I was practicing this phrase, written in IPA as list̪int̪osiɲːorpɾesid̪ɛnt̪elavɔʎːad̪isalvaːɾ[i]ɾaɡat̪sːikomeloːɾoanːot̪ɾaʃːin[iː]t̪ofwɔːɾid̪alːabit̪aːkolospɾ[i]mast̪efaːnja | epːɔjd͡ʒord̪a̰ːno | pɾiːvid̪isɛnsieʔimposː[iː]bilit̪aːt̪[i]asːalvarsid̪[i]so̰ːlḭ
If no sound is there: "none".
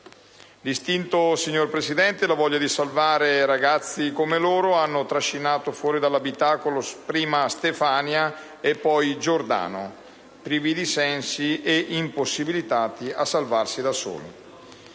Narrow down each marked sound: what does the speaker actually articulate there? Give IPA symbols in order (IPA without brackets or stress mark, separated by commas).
e, aː, iː, i, i, a